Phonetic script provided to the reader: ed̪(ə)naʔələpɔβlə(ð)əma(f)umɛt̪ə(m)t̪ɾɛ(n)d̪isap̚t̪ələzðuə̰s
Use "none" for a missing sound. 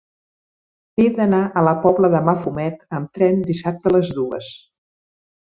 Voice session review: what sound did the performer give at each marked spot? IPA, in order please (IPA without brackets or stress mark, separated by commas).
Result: ə, ð, f, m, n